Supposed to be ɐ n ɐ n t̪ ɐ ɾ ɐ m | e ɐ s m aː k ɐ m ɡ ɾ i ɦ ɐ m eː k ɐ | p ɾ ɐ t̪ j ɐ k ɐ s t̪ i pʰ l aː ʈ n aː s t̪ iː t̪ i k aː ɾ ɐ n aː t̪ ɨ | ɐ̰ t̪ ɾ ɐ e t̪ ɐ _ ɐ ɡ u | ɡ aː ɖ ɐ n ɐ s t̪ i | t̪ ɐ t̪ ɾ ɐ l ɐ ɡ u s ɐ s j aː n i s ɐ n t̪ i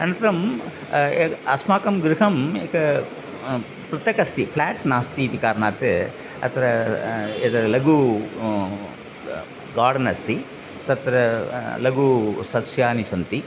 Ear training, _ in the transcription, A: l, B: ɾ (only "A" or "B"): A